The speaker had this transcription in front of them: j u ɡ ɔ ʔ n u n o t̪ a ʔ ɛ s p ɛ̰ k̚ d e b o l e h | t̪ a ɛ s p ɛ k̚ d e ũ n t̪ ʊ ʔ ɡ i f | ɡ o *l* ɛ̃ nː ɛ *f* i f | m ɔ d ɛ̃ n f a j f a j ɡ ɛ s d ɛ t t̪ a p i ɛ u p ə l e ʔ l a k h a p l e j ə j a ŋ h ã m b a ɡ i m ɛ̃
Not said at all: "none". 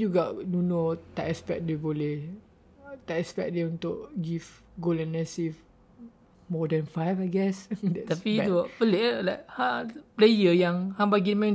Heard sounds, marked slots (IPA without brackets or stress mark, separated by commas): l, s